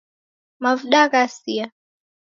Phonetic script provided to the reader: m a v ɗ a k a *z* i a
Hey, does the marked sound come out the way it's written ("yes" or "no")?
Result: no